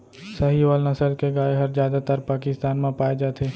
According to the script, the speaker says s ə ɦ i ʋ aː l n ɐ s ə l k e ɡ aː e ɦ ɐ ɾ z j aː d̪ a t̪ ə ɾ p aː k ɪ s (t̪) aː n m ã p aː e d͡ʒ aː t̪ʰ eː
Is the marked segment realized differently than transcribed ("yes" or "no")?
no